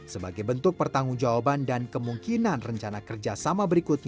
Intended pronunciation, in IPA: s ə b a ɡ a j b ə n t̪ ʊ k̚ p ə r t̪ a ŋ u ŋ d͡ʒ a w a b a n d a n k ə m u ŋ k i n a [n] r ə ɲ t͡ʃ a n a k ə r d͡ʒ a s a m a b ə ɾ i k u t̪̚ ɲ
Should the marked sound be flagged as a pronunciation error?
no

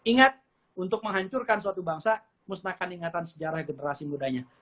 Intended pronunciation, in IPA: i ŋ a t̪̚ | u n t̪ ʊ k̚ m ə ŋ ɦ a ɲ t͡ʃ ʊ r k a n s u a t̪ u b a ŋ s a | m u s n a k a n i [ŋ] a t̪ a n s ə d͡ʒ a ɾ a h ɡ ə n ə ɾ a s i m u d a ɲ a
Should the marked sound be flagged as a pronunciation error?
no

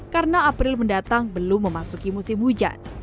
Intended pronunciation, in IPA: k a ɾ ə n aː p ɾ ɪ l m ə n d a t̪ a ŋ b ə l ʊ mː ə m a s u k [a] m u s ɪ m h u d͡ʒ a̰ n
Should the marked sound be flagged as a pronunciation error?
yes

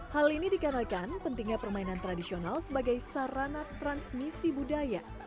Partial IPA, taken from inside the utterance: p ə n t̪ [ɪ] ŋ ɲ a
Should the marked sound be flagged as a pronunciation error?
yes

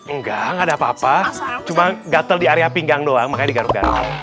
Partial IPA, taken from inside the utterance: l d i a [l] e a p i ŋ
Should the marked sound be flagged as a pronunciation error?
yes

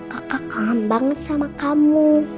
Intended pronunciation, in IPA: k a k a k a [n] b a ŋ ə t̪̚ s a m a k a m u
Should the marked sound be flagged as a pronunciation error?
yes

